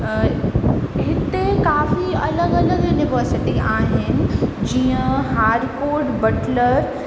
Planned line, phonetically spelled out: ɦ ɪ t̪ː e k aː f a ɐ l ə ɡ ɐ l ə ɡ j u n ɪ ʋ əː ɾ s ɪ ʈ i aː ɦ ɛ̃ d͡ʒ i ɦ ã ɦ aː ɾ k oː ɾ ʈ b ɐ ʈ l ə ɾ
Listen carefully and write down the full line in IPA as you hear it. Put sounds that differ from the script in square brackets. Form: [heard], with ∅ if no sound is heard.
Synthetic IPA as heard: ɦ ɪ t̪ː e k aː f [i] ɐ l ə ɡ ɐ l ə ɡ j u n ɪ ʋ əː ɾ s ɪ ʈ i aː ɦ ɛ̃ d͡ʒ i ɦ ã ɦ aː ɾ k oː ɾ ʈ b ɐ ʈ l ə ɾ